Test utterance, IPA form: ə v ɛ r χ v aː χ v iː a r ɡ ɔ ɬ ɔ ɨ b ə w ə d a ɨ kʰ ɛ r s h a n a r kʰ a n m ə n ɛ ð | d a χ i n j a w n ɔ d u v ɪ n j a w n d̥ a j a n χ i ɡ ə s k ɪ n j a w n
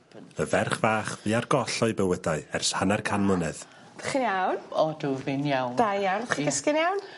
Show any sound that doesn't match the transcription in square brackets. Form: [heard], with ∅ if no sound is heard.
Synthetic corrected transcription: ə v ɛ r χ v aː χ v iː a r ɡ ɔ ɬ ɔ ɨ b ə w ə d a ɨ [∅] ɛ r s h a n a r kʰ a n m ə n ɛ ð | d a χ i n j a w n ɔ d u v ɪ n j a w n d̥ a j a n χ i ɡ ə s k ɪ n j a w n